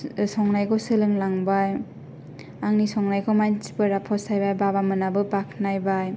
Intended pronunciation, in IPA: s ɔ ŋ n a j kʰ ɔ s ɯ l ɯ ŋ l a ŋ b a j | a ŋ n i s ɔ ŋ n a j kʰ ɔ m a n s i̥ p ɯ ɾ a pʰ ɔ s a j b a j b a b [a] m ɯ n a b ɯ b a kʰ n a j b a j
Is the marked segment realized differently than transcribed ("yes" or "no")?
no